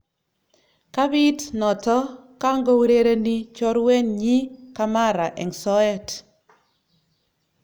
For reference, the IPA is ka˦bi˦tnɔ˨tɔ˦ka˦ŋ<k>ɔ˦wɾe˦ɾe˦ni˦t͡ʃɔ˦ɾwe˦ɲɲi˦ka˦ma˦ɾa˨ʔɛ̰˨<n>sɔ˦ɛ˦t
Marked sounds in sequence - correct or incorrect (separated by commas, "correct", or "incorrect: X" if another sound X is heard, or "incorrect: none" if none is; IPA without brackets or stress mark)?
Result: incorrect: ɡ, incorrect: ŋ